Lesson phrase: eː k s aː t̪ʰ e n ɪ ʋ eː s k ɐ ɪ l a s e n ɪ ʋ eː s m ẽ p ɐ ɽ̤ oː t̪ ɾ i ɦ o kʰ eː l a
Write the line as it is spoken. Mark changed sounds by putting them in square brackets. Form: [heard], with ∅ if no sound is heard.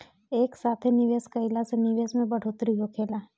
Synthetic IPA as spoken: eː k s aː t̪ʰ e n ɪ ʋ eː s k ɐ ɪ l a s e n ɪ ʋ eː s m ẽ [b] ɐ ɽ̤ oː t̪ ɾ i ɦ o kʰ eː l a